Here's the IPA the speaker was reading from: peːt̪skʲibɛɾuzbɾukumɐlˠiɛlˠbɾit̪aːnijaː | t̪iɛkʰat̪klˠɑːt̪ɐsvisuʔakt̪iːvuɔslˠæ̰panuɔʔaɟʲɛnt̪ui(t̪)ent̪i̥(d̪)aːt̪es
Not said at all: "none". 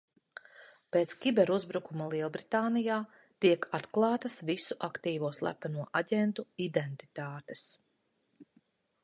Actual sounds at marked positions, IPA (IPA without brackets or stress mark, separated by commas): d̪, t̪